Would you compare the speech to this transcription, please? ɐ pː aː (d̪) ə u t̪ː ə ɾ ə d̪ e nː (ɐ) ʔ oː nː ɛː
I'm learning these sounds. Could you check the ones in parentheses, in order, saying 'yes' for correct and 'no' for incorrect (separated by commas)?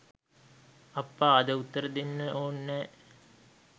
yes, no